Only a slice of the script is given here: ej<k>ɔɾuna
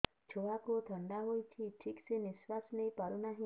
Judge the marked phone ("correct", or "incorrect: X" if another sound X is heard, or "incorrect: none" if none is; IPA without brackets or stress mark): incorrect: p